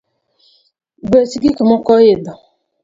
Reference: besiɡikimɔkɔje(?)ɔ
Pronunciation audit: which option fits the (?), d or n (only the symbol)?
d